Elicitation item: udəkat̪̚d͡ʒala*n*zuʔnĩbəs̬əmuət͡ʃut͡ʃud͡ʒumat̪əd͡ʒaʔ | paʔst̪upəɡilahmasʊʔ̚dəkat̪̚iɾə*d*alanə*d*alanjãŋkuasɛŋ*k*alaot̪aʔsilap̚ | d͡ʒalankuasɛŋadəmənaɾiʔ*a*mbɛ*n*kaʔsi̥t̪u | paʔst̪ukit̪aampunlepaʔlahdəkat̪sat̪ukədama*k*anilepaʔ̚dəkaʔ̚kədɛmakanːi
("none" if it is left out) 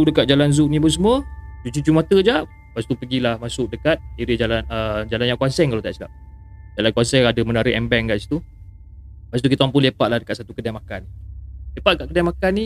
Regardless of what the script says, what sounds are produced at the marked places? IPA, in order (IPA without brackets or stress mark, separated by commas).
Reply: n, d͡ʒ, d͡ʒ, k, ɛ, ŋ, k